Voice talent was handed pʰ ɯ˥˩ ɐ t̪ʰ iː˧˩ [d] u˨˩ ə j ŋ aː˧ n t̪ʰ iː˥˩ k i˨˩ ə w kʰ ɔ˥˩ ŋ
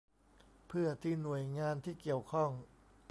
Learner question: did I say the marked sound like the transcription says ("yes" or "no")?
no